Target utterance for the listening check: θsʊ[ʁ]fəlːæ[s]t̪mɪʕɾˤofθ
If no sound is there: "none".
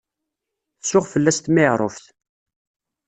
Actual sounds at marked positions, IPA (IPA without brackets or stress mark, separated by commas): ʁ, s